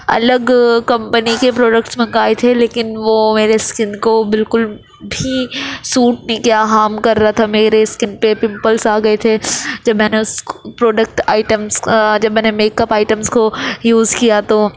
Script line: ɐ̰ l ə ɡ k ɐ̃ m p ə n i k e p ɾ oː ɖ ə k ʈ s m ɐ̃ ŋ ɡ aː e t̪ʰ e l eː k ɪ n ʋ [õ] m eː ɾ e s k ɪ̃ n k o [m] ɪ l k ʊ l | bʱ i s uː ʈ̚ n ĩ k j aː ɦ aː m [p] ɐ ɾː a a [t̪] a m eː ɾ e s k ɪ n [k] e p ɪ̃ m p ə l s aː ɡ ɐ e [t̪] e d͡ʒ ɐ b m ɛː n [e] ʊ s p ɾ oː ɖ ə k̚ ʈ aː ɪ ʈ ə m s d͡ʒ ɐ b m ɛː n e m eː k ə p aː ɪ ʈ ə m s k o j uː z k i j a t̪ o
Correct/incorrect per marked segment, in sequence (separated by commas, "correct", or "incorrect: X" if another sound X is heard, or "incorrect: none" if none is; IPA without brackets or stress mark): incorrect: o, incorrect: b, incorrect: k, incorrect: t̪ʰ, incorrect: p, incorrect: t̪ʰ, correct